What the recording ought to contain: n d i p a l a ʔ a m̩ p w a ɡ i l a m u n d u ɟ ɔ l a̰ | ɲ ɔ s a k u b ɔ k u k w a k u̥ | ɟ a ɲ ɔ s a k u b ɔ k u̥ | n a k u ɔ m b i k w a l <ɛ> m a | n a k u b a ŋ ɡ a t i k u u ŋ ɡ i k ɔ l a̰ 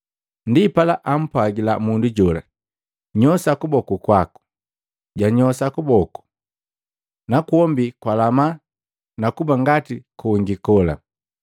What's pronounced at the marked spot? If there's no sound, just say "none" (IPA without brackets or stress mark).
a